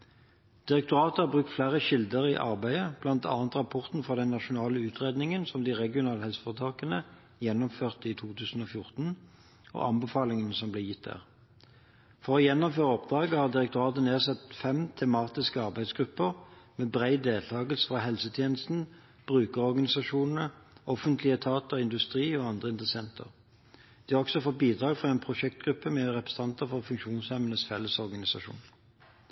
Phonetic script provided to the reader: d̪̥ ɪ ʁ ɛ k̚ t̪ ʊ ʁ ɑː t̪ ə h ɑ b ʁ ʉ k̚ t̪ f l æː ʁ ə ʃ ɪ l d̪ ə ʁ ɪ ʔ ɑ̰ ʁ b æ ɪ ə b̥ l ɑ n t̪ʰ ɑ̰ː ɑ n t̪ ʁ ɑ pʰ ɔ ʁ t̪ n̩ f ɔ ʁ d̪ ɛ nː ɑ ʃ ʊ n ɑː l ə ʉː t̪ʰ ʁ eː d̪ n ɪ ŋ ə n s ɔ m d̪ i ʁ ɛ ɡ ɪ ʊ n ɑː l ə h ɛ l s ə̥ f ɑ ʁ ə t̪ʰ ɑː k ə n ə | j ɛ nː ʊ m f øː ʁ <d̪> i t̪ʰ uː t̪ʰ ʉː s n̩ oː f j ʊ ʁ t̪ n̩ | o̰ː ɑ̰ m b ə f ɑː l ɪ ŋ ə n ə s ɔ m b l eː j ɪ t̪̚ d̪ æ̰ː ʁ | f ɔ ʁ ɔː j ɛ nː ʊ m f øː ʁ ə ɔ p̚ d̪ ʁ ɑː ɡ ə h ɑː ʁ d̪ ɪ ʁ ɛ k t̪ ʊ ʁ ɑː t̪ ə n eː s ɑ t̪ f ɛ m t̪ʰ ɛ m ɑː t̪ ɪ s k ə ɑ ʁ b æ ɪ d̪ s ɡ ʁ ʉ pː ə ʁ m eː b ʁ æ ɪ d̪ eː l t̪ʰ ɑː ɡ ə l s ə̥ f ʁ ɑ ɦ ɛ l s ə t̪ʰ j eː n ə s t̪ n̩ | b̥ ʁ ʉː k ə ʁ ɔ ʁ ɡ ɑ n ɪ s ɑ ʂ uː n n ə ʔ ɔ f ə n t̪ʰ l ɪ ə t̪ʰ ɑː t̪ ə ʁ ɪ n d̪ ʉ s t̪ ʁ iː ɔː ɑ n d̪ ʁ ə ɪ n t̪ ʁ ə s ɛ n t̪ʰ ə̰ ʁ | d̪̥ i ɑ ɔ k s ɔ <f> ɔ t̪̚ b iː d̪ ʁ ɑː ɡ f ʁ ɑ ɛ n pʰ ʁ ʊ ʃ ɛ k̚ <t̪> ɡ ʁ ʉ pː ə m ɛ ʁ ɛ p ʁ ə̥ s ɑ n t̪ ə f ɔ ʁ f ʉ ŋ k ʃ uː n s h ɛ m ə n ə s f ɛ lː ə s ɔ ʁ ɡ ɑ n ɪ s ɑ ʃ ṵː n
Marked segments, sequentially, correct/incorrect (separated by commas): incorrect, correct, correct